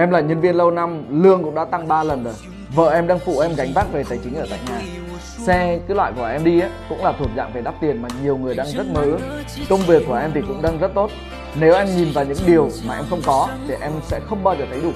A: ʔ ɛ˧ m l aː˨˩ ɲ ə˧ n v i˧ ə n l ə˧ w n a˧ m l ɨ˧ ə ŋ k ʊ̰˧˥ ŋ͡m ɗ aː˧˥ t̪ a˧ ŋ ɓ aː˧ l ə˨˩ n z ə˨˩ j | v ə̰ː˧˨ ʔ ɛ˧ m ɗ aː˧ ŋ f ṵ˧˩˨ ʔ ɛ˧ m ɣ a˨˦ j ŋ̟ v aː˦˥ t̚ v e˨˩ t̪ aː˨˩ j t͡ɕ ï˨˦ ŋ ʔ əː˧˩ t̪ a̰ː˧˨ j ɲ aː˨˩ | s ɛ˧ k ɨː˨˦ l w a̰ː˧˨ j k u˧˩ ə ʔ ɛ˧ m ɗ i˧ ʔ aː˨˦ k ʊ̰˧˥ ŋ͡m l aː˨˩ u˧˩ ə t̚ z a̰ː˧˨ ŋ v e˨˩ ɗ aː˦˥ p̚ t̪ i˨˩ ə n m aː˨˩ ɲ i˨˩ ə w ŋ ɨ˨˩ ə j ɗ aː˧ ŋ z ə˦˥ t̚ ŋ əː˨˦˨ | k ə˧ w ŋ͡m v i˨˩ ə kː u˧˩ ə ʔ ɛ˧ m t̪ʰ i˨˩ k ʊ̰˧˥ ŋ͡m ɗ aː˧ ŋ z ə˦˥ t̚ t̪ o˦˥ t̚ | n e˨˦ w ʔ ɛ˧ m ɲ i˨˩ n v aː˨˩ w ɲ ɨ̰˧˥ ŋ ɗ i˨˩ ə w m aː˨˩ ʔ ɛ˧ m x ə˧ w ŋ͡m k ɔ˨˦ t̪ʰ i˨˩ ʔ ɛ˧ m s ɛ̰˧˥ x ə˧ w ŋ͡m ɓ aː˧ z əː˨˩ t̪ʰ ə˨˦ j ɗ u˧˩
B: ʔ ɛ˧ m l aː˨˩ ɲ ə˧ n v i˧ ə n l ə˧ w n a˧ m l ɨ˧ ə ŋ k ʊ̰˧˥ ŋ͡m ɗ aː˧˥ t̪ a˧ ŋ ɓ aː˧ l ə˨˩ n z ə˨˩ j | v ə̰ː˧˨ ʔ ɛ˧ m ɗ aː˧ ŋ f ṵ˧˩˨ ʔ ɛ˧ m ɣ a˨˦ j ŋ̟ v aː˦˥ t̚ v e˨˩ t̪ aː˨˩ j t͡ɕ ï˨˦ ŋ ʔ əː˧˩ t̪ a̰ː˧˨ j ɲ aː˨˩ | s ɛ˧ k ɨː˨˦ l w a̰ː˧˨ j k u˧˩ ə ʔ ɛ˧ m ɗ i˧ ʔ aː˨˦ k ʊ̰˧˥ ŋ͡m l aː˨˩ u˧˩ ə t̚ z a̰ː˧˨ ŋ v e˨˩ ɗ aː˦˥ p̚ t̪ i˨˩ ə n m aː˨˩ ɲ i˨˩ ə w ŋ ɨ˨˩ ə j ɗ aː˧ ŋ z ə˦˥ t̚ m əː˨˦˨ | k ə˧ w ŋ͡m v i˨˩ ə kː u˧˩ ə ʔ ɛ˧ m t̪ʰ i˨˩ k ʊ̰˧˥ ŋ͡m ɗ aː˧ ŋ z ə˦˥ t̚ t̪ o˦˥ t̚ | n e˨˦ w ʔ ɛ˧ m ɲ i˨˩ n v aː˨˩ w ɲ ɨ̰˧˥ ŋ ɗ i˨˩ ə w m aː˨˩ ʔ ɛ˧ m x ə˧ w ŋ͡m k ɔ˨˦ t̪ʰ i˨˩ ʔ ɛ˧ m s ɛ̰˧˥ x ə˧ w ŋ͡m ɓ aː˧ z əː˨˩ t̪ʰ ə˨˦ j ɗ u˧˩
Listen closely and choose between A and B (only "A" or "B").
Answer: B